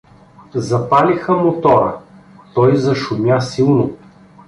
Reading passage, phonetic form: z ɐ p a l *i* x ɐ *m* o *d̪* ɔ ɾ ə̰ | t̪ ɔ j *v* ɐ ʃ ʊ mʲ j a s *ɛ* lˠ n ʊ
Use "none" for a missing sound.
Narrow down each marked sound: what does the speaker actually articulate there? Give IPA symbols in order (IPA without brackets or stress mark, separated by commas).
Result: i, m, t̪, z, i